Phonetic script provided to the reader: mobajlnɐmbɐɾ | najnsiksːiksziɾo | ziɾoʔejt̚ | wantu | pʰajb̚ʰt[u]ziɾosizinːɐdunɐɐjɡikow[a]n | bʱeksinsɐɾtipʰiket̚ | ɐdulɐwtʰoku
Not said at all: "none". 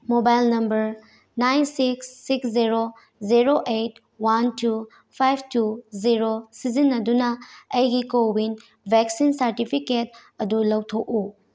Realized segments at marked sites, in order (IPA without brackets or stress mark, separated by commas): u, i